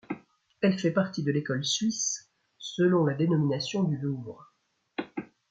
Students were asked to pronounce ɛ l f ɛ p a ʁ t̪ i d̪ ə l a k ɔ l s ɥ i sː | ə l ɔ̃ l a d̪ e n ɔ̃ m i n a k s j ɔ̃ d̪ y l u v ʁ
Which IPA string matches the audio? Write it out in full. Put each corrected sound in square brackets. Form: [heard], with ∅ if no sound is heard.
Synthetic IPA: ɛ l f ɛ p a ʁ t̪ i d̪ ə l [e] k ɔ l s ɥ i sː | ə l ɔ̃ l a d̪ e n [ɔ] m i n a [∅] s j ɔ̃ d̪ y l u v ʁ